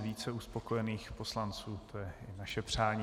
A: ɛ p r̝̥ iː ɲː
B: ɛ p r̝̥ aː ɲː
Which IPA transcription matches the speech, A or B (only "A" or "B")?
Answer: B